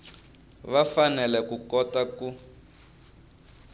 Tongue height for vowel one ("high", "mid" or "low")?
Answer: low